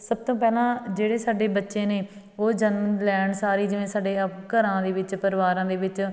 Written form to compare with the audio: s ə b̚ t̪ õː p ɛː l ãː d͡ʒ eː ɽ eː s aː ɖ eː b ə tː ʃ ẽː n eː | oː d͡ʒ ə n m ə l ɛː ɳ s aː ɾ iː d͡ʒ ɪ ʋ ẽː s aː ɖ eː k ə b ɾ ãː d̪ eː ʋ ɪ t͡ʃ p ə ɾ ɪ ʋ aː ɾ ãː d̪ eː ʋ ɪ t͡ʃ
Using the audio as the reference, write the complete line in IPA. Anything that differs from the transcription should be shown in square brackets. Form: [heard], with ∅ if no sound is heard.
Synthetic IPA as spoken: s ə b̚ t̪ õː p ɛː l ãː d͡ʒ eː ɽ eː s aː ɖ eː b ə tː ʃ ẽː n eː | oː d͡ʒ ə n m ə l ɛː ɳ s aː ɾ iː d͡ʒ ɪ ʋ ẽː s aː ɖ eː k ə [∅] ɾ ãː d̪ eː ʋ ɪ t͡ʃ p ə ɾ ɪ ʋ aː ɾ ãː d̪ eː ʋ ɪ t͡ʃ